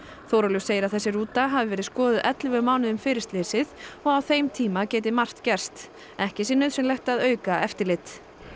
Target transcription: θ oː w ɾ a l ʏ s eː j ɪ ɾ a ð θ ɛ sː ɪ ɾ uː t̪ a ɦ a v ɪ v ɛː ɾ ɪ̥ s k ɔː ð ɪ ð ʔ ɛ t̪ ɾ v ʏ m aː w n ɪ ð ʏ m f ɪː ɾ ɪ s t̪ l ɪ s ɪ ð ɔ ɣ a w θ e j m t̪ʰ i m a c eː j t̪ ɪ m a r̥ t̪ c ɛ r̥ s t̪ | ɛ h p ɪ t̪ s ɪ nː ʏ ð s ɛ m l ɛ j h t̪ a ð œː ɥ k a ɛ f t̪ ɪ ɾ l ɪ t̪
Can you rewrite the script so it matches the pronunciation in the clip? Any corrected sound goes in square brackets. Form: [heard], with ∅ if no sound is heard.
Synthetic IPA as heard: θ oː w ɾ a l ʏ s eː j ɪ ɾ a ð θ ɛ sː ɪ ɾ uː t̪ a ɦ a v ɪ v ɛː ɾ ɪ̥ s k ɔː ð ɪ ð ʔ ɛ t̪ [l] v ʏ m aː w n ɪ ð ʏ m f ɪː ɾ ɪ s t̪ l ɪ s ɪ ð ɔ ɣ a w θ e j m t̪ʰ [iː] m a c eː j t̪ ɪ m a r̥ t̪ c ɛ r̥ s t̪ | ɛ h [c] ɪ [∅] s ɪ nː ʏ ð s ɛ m l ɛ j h t̪ a ð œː ɥ k a ɛ f t̪ ɪ ɾ l ɪ t̪